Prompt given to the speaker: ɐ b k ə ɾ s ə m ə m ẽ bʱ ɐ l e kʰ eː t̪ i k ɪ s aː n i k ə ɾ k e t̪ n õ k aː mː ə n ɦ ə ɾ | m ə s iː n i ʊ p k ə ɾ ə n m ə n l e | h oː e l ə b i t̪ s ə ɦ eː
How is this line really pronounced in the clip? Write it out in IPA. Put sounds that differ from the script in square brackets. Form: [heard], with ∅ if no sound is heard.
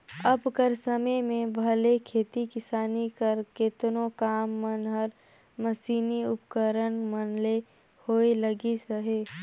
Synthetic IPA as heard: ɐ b k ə ɾ s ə m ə m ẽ bʱ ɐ l e kʰ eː t̪ i k ɪ s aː n i k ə ɾ k e t̪ n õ k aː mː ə n ɦ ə ɾ | m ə s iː n i ʊ p k ə ɾ ə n m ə n l e | h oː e l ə [ɡ] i [∅] s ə ɦ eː